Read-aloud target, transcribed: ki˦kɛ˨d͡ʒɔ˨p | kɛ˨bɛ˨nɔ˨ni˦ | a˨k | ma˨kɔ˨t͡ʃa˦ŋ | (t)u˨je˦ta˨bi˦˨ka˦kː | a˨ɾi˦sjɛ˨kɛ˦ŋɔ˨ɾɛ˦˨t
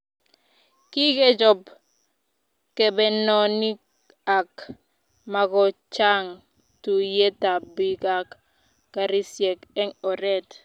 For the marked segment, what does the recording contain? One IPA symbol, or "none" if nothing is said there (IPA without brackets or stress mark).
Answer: t